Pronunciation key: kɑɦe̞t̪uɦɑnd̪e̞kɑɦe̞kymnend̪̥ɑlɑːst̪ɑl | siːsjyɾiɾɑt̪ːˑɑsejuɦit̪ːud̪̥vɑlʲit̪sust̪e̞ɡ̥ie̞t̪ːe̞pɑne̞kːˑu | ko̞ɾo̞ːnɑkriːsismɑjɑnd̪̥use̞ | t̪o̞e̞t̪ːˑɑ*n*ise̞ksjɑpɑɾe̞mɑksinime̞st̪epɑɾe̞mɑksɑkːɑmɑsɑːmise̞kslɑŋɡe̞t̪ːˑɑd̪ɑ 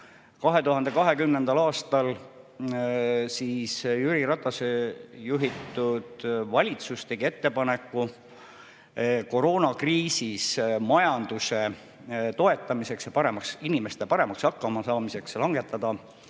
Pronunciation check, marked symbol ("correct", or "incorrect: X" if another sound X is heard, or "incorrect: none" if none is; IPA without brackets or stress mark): incorrect: m